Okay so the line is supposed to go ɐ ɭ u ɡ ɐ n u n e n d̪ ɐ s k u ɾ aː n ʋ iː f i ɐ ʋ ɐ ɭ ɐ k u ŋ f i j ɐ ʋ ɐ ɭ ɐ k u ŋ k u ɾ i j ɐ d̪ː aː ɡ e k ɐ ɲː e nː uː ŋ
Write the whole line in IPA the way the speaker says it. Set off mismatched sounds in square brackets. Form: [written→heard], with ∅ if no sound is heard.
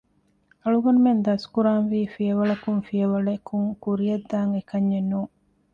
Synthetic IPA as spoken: ɐ ɭ u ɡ ɐ n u [n→m] e n d̪ ɐ s k u ɾ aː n ʋ iː f i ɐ ʋ ɐ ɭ ɐ k u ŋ f i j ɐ ʋ ɐ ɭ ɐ k u ŋ k u ɾ i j ɐ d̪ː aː [ɡ→ŋ] e k ɐ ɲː e nː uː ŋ